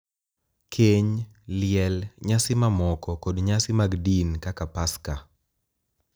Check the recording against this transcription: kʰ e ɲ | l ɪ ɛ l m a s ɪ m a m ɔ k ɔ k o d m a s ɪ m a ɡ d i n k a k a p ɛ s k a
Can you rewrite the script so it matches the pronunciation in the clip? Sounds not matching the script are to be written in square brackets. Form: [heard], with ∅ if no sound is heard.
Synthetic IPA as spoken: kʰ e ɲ | l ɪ ɛ l [ɲ] a s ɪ m a m ɔ k ɔ k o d [ɲ] a s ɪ m a ɡ d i n k a k a p [a] s k a